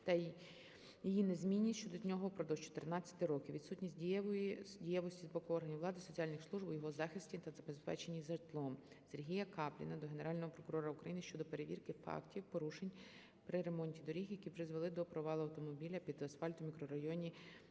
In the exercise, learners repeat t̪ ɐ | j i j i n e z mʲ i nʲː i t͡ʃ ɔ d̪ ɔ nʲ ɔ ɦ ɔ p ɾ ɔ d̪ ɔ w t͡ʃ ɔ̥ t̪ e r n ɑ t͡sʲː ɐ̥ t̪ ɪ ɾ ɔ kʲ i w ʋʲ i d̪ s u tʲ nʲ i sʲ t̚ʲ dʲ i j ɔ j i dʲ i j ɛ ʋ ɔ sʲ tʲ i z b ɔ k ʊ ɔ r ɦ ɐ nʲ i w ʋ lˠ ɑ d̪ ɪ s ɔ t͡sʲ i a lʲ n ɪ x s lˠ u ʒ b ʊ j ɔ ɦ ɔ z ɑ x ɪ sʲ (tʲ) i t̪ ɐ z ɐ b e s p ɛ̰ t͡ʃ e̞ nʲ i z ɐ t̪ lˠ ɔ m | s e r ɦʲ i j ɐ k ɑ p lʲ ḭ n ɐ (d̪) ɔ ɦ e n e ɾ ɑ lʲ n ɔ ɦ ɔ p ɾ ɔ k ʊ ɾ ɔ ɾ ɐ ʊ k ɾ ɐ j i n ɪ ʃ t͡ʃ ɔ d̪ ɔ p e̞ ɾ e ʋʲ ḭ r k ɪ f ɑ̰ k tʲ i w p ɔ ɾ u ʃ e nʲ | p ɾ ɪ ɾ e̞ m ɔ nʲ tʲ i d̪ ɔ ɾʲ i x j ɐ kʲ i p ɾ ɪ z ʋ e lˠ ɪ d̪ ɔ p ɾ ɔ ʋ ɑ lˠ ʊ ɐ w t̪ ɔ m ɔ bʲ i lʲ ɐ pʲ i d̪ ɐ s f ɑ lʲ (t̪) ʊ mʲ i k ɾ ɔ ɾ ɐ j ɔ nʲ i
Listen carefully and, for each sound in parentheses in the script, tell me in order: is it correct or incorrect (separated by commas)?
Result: correct, correct, correct